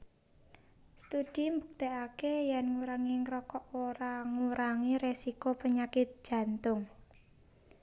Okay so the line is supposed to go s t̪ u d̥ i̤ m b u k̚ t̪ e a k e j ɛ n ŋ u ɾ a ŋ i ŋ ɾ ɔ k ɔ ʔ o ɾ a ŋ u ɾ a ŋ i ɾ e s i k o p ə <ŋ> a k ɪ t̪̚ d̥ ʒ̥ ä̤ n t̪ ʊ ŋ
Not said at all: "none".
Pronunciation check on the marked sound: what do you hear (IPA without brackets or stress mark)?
ɲ